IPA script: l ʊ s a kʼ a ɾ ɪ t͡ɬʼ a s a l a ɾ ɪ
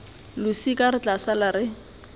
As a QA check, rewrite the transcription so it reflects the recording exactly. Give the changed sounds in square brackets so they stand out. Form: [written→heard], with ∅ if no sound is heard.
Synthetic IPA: l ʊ s [a→i] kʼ a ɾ ɪ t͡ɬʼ a s a l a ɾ ɪ